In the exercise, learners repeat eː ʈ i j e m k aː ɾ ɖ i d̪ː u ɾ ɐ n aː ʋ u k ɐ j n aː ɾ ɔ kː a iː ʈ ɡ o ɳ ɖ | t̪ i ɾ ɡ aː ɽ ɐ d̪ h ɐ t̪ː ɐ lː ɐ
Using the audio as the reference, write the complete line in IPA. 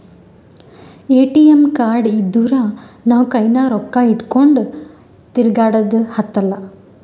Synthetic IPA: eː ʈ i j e m k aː ɾ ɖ i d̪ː u ɾ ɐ n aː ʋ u k ɐ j n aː ɾ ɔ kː a i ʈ k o ɳ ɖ | t̪ i ɾ ɡ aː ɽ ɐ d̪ h ɐ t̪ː ɐ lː ɐ